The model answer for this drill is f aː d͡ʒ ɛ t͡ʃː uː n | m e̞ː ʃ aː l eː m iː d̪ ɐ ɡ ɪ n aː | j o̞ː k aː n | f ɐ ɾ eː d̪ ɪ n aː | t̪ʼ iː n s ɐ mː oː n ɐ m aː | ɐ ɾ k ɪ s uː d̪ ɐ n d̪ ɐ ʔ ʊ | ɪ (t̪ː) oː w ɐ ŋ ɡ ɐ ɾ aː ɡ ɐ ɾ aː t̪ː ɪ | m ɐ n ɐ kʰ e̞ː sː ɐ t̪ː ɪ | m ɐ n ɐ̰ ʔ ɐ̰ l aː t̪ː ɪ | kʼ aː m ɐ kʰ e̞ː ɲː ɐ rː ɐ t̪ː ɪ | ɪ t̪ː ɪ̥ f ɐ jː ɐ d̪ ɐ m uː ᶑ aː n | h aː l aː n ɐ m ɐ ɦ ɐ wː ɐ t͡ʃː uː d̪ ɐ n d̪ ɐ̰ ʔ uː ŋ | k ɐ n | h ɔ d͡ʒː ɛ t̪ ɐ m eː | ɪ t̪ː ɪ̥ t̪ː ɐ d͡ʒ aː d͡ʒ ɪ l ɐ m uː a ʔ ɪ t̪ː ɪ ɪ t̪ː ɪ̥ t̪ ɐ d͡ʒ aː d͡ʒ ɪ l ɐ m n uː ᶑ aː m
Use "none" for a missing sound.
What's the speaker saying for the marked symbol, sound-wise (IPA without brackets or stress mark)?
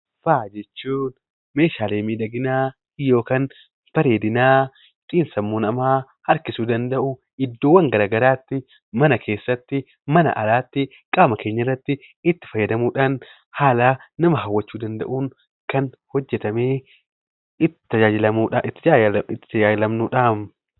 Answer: d̪ː